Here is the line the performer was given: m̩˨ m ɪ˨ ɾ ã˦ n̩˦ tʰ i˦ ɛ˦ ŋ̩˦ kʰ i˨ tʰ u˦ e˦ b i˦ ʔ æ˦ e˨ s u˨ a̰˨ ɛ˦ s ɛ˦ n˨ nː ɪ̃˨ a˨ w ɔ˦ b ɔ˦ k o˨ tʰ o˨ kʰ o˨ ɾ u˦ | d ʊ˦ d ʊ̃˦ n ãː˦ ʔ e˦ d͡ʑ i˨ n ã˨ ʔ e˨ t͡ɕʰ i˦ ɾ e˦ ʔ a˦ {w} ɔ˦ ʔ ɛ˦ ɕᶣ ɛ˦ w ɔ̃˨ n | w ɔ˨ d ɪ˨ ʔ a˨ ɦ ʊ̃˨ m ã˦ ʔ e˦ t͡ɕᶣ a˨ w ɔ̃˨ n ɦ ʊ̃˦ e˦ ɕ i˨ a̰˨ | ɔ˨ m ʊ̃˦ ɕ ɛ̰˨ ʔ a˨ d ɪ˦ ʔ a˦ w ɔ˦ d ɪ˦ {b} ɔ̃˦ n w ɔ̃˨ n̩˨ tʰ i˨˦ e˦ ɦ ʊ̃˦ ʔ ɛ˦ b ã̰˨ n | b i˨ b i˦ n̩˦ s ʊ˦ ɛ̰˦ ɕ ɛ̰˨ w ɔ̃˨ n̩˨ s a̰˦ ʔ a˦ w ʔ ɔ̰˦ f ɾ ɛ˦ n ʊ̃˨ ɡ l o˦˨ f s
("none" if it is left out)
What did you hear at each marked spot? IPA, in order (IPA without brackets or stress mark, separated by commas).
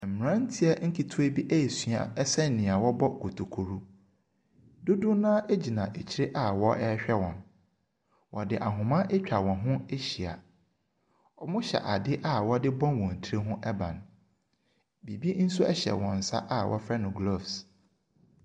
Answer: w, b